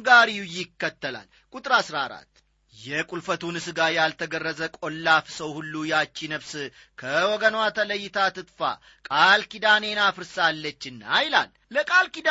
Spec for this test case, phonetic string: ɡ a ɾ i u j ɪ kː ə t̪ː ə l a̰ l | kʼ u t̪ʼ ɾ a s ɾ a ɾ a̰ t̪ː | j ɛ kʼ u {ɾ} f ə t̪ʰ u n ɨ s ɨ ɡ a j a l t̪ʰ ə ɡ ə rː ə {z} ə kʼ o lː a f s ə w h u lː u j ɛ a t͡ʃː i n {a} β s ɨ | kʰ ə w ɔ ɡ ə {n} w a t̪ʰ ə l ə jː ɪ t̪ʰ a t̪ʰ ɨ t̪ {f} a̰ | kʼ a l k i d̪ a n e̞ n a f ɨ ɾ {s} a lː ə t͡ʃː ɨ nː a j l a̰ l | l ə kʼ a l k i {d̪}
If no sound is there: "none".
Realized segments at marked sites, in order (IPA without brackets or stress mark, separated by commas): l, z, ə, n, f, s, d̪